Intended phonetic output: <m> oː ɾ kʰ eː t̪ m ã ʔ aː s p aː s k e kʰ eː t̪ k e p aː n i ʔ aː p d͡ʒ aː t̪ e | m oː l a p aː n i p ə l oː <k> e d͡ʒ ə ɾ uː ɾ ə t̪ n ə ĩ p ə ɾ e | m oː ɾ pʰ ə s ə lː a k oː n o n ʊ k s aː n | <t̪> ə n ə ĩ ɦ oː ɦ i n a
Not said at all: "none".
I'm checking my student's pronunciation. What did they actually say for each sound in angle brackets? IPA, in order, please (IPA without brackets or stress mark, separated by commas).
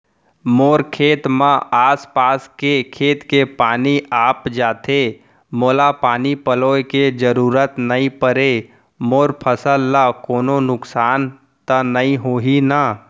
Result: m, k, t̪